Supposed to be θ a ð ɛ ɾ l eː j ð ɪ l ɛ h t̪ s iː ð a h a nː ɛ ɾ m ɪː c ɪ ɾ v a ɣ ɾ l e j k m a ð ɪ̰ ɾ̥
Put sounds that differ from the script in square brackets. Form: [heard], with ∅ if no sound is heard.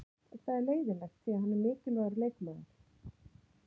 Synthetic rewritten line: θ a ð ɛ ɾ l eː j ð ɪ l ɛ [x] t̪ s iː [∅] a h a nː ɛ ɾ m ɪː c ɪ [l] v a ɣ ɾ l e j k m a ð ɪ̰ ɾ̥